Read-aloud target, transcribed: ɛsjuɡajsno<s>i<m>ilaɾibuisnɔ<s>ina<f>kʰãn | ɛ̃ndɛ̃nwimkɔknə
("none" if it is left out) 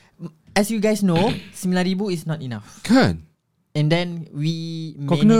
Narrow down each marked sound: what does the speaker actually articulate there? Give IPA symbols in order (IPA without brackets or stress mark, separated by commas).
s, m, t, f